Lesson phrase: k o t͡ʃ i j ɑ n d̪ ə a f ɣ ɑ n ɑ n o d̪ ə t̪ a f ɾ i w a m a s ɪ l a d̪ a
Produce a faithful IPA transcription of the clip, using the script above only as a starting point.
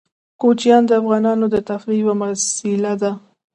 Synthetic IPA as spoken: k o t͡ʃ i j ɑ n d̪ ə a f ɣ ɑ n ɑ n o d̪ ə t̪ a f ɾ i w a m a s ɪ l a d̪ a